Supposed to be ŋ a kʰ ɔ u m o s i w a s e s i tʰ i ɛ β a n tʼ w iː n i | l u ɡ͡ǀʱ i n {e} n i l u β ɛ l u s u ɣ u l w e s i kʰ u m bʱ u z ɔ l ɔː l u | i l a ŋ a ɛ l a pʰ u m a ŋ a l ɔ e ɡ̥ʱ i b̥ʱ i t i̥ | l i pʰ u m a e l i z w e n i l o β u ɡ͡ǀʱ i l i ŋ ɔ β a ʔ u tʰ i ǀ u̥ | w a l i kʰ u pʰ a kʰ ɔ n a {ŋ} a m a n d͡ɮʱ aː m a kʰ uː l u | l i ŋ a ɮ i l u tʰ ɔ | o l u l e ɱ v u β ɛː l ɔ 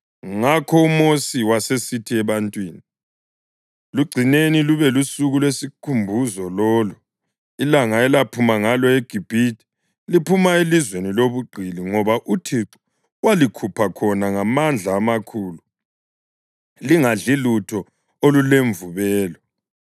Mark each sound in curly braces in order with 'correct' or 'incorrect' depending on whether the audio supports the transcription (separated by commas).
correct, correct